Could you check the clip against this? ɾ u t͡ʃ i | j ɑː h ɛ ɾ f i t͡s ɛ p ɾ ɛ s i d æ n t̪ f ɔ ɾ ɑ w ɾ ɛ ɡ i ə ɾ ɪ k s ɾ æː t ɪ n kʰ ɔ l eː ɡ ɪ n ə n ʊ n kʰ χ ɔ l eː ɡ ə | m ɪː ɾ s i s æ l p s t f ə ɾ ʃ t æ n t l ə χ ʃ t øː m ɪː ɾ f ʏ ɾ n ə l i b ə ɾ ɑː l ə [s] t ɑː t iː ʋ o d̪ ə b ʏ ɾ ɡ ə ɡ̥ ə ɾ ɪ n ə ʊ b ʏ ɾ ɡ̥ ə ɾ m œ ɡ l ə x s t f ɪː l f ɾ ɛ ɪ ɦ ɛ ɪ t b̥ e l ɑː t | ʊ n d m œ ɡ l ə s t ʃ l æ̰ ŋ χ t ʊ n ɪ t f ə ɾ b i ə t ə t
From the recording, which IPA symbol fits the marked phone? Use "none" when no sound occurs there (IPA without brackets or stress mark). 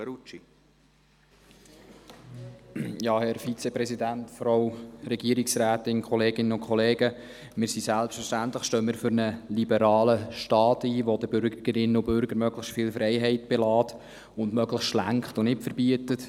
ʃ